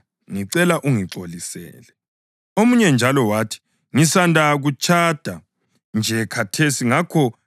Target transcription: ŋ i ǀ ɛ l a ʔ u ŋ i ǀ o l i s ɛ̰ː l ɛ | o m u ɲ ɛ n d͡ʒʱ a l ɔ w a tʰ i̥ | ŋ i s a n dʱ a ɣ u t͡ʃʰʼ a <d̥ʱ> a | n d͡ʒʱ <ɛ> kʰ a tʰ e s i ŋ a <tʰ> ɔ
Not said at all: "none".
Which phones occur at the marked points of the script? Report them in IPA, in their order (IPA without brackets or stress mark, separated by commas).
d̥ʱ, ɛ, kʰ